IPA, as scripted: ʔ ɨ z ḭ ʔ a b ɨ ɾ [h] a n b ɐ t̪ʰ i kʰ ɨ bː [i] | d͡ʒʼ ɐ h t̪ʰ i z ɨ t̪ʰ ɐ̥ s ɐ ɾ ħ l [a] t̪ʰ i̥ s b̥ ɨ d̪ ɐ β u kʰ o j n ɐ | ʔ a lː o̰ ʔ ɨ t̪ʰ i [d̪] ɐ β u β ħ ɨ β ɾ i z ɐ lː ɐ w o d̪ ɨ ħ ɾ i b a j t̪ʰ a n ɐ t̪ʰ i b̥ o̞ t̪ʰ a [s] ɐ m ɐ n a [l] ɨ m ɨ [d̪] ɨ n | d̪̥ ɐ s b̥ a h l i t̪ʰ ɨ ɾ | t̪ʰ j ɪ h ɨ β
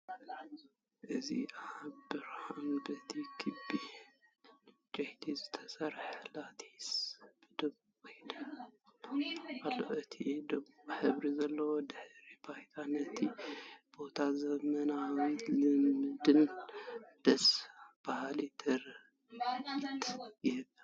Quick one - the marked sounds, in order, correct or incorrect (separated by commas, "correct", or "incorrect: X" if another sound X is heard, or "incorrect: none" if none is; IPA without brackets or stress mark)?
correct, correct, correct, correct, incorrect: z, correct, correct